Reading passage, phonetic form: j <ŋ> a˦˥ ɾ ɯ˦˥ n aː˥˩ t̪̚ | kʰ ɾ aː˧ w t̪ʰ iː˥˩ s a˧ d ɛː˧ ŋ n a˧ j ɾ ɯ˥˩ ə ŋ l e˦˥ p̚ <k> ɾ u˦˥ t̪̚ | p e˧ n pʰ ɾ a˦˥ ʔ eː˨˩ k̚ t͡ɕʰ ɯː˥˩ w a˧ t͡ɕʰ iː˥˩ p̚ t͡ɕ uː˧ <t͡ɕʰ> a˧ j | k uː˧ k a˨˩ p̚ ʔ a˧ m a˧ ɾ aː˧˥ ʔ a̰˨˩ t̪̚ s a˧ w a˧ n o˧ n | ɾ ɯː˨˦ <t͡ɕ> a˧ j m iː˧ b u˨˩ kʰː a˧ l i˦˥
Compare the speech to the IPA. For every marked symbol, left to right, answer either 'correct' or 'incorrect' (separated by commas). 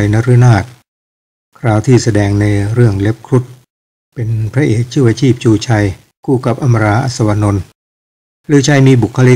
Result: incorrect, incorrect, correct, incorrect